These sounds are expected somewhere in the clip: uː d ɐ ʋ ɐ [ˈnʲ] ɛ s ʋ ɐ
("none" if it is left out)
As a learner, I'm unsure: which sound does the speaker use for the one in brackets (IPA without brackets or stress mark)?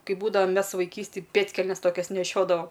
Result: mʲ